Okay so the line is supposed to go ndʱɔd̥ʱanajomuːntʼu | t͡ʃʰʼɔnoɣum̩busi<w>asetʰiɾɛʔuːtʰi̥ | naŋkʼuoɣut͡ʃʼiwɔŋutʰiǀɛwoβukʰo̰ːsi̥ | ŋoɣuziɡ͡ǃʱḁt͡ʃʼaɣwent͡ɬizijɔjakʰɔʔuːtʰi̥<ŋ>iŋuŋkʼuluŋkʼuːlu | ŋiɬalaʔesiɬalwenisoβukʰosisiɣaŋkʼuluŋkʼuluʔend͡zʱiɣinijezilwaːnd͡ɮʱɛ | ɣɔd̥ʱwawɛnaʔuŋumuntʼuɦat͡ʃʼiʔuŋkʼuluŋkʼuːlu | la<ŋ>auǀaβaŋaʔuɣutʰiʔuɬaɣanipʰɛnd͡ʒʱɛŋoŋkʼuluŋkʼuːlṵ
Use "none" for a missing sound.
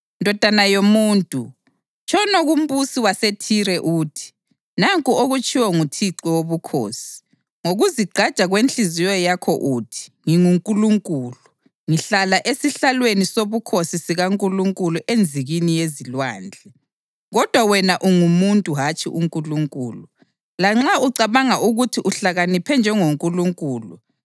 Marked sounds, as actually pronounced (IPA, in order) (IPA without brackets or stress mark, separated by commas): w, ŋ, ŋ͡ǁ